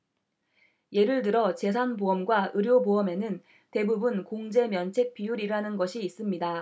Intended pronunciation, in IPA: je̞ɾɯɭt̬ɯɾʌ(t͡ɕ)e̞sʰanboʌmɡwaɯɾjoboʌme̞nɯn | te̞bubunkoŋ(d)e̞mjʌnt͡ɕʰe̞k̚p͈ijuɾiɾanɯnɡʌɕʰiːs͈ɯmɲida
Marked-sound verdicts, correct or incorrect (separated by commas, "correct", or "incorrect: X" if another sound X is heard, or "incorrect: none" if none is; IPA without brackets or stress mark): correct, incorrect: d͡ʑ